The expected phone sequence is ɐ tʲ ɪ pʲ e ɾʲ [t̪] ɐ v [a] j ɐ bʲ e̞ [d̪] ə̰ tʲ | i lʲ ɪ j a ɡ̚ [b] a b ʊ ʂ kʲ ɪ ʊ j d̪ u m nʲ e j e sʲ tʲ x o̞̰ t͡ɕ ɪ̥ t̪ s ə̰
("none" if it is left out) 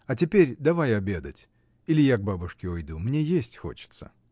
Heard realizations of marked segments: d̪, a, d̪, b

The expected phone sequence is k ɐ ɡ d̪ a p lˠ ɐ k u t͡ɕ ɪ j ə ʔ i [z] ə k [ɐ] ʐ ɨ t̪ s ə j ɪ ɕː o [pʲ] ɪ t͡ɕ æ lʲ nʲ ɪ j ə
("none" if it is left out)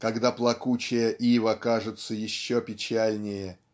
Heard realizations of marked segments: v, a, pʲ

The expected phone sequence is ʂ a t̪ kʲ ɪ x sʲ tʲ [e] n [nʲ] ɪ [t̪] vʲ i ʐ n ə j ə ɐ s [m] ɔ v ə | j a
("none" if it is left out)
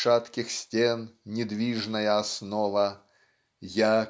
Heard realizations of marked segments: e, nʲ, d̪, n

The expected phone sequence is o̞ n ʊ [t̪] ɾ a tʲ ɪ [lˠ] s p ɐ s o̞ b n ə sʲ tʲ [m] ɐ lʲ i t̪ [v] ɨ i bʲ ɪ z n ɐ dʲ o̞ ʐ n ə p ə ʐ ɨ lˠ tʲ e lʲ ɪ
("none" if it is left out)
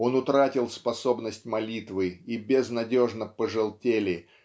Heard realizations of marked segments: t̪, lˠ, m, v

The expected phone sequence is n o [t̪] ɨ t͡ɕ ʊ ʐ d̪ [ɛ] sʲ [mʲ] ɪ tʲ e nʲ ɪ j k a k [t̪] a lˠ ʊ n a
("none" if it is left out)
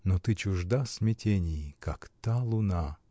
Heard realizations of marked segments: t̪, a, mʲ, t̪

